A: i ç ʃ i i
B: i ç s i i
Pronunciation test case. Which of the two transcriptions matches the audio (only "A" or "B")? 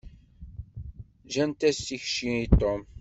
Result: A